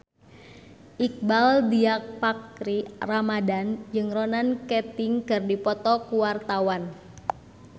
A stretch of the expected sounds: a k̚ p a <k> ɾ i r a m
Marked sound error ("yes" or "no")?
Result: no